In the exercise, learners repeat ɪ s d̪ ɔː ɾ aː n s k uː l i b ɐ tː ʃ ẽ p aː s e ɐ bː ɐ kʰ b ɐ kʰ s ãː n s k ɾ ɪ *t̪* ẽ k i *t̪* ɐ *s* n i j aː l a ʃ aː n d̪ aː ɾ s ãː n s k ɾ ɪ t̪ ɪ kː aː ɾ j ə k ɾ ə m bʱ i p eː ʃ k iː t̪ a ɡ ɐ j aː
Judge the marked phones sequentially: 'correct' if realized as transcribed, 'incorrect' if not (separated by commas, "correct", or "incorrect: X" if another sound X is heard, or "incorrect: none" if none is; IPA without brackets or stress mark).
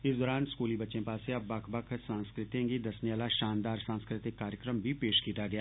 correct, incorrect: d̪, correct